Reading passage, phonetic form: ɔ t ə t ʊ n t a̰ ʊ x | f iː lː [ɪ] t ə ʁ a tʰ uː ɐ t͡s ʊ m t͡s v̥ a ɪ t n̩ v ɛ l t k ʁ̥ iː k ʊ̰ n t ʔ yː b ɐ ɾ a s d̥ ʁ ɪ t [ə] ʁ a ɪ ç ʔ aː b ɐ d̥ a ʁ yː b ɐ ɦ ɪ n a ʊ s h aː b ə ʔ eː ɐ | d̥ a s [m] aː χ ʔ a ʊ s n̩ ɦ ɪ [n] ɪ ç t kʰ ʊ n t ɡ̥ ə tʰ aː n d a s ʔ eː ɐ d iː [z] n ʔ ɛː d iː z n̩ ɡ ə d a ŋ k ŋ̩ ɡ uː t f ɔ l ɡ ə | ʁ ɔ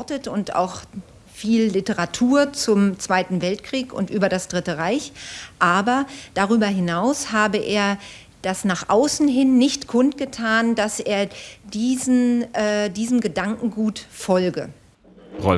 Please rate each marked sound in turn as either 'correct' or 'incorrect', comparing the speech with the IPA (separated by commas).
correct, correct, incorrect, incorrect, correct